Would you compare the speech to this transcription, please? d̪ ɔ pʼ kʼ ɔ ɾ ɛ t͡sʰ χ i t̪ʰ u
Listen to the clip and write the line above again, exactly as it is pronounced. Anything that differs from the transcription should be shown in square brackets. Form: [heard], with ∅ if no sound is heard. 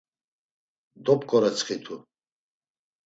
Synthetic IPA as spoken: d̪ ɔ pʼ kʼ ɔ ɾ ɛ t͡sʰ χ i t̪ʰ u